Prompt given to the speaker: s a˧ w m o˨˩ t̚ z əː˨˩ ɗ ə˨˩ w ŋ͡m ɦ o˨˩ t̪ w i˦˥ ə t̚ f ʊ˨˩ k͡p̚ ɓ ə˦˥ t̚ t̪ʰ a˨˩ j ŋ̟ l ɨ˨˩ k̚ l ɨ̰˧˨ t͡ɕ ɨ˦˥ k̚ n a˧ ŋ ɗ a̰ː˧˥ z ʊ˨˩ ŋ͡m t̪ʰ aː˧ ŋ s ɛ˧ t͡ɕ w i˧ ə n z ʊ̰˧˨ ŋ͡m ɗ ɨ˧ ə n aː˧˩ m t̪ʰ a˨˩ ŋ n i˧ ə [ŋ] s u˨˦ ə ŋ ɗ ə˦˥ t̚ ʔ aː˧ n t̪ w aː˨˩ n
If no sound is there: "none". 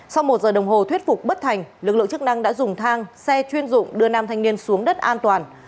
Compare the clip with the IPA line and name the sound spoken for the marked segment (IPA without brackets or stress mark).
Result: n